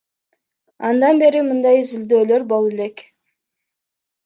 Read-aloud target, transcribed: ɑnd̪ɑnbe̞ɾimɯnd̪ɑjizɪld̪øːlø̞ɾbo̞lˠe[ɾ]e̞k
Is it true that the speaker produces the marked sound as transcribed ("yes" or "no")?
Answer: no